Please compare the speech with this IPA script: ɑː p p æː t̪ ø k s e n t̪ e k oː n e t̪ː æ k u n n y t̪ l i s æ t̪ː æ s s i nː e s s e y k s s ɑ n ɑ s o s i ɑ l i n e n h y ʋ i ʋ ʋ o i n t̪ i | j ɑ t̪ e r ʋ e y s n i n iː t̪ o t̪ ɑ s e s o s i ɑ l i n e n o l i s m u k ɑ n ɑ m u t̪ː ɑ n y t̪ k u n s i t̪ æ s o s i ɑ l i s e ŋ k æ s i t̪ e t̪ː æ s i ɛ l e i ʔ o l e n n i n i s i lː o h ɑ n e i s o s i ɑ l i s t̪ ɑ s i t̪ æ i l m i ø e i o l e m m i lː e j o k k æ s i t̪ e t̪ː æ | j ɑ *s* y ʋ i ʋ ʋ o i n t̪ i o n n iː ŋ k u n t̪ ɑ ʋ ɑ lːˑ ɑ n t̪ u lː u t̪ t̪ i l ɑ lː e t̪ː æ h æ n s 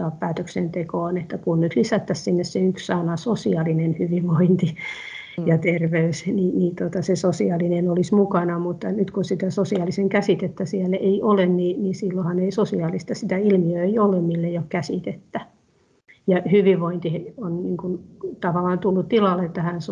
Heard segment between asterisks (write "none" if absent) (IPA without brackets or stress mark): h